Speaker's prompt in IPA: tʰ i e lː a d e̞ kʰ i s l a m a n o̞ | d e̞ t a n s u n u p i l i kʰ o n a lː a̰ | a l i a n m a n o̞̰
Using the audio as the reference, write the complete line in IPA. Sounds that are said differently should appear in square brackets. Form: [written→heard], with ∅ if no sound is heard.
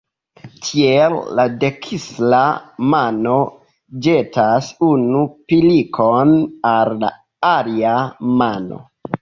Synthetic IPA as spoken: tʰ i e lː a d e̞ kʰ i s l a m a n o̞ | [d→d͡ʒ] e̞ t a [n→∅] s u n u p i l i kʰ o n a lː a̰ | a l i a [n→∅] m a n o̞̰